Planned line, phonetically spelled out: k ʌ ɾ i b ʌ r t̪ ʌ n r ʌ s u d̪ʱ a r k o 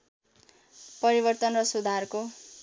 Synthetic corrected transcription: p ʌ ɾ i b ʌ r t̪ ʌ n r ʌ s u d̪ʱ a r k o